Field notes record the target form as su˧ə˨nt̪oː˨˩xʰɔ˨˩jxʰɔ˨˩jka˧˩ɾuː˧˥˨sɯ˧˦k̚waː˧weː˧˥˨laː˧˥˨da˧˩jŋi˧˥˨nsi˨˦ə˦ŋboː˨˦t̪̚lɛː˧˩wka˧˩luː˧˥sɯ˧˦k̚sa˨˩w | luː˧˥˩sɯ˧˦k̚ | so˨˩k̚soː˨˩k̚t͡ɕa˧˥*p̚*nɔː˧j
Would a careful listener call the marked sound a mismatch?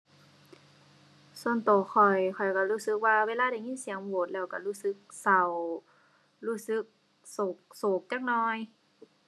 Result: yes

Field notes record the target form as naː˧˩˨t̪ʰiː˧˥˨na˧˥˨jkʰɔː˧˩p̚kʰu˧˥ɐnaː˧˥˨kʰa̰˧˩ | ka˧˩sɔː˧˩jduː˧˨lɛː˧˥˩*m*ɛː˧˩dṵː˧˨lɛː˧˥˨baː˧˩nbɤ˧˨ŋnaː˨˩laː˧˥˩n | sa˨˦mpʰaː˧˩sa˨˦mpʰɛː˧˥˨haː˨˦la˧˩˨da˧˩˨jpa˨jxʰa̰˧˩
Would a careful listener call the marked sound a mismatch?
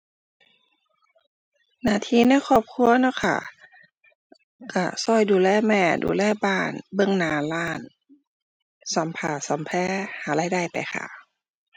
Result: no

